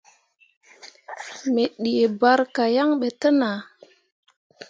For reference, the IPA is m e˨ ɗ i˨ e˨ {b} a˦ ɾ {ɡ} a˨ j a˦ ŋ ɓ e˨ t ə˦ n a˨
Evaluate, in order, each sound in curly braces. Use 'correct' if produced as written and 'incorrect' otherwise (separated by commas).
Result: correct, incorrect